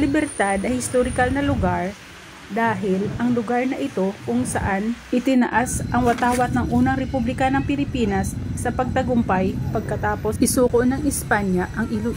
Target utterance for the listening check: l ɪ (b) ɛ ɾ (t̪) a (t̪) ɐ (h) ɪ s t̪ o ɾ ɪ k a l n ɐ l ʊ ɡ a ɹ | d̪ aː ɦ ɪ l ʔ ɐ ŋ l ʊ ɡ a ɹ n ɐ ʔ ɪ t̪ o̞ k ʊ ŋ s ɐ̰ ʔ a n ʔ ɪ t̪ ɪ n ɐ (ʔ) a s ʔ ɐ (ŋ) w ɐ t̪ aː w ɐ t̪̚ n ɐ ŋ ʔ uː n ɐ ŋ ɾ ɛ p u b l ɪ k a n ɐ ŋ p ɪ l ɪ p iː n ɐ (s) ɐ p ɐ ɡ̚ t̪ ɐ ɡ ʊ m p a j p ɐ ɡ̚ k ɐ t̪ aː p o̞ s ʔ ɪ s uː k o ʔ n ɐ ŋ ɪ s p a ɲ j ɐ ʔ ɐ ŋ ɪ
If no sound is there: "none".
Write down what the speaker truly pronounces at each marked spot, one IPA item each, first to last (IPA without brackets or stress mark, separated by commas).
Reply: b, t̪, d̪, h, ʔ, ŋ, sː